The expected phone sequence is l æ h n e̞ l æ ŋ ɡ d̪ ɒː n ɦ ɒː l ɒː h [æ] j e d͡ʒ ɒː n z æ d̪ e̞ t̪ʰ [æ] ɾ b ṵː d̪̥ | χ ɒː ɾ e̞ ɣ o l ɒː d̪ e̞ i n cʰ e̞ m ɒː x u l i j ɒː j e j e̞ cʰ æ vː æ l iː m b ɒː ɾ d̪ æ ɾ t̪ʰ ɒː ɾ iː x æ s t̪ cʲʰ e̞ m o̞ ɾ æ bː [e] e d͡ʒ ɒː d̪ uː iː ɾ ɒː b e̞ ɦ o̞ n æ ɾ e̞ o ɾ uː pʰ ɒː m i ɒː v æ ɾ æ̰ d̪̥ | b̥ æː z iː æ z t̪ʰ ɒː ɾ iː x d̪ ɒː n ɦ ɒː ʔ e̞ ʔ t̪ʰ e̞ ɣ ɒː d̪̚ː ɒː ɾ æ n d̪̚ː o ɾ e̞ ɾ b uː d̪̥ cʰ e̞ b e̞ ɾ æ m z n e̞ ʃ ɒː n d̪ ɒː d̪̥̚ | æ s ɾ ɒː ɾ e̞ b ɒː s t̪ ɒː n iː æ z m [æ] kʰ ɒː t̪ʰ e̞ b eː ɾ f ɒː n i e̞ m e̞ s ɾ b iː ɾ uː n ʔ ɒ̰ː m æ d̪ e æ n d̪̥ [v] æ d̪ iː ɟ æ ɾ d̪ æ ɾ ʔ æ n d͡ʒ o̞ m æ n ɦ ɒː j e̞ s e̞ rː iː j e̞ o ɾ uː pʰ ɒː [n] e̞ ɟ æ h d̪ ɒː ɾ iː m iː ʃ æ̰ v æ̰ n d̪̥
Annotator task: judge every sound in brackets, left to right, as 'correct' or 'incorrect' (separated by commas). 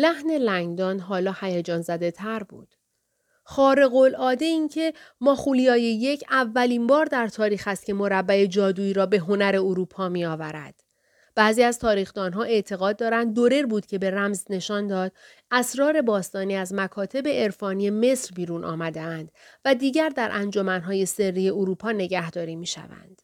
correct, correct, incorrect, correct, correct, correct